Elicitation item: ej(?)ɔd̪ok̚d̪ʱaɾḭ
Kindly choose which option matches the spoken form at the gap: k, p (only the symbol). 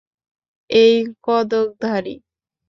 k